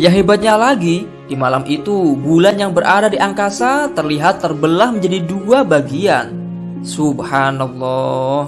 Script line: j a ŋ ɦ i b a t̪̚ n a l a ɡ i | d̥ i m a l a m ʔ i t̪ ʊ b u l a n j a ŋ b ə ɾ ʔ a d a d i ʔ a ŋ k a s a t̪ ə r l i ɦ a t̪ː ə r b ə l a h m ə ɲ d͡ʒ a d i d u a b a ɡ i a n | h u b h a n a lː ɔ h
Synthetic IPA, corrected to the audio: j a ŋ ɦ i b a t̪̚ ɲ a l a ɡ i | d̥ i m a l a m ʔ i t̪ u b u l a n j a ŋ b ə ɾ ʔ a d a d i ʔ a ŋ k a s a t̪ ə r l i ɦ a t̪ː ə r b ə l a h m ə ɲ d͡ʒ a d i d u a b a ɡ i a n | s u b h a n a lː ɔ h